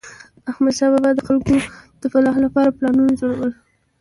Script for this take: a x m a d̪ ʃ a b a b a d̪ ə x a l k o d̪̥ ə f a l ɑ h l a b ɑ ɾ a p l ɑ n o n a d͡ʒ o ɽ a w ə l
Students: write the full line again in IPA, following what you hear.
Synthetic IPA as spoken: a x m a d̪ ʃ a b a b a d̪ ə x a l k o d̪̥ ə f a l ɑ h l a p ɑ ɾ a p l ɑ n u n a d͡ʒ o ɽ a w ə l